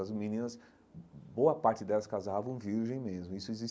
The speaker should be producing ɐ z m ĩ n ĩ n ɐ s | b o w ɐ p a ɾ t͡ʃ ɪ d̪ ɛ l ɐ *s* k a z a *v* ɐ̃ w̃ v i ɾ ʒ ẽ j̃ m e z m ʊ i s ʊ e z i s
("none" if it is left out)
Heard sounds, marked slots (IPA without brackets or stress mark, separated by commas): s, v